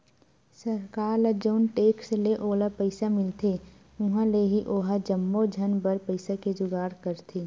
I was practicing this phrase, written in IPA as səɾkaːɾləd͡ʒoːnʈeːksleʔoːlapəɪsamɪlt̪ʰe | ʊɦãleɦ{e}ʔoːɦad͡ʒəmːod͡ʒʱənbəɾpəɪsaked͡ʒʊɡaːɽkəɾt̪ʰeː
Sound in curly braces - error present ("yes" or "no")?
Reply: yes